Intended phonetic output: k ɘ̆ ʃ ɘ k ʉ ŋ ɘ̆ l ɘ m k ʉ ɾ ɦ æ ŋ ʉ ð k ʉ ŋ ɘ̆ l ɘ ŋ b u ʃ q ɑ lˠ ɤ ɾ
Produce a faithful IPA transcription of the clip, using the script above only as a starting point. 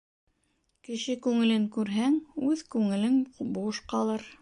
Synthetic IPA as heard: k ɘ̆ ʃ ɘ k ʉ ŋ ɘ̆ l ɘ ŋ k ʉ ɾ ɦ æ ŋ ʉ ð k ʉ ŋ ɘ̆ l ɘ ŋ b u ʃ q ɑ lˠ ɤ ɾ